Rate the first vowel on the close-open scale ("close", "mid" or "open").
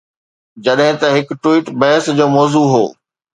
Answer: open